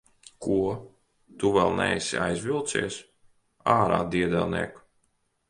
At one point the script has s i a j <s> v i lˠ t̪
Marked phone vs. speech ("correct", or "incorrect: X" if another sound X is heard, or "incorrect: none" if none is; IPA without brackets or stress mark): incorrect: z